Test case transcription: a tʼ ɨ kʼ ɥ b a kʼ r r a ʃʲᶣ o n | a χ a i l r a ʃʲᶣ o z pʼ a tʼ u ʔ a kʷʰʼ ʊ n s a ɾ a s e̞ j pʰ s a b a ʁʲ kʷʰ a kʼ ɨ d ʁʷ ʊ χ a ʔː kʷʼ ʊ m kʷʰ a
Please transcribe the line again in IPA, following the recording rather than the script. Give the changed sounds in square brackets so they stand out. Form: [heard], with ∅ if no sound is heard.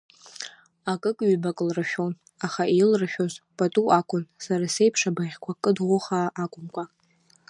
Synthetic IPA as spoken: a [kʼ] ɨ kʼ ɥ b a kʼ [l] r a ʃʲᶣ o n | a χ a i l r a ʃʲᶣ o z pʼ a tʼ u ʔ a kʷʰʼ ʊ n s a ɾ a s e̞ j pʰ [ʂ] a b a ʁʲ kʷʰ a kʼ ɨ d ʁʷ ʊ χ a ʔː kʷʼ ʊ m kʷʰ a